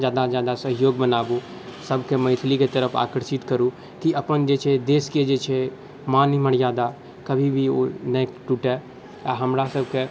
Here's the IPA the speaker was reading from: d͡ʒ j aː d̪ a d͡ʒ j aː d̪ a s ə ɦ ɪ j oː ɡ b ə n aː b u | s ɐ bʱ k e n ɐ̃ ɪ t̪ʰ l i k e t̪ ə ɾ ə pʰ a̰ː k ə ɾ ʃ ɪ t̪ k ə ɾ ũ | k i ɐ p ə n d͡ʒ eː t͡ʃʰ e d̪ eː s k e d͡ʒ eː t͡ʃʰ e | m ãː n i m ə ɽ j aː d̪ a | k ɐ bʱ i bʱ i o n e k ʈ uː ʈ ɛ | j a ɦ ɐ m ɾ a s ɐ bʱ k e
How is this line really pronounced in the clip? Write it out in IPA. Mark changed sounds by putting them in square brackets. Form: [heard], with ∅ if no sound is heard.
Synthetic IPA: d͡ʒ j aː d̪ a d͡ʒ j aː d̪ a s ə ɦ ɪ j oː ɡ b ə n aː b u | s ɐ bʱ k e [m] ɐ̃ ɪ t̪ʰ l i k e t̪ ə ɾ ə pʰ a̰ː k ə ɾ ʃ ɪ t̪ k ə ɾ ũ | k i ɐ p ə n d͡ʒ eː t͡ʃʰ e d̪ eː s k e d͡ʒ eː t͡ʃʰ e | m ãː n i m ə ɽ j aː d̪ a | k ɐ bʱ i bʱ i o n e k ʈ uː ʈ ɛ | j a ɦ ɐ m ɾ a s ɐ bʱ k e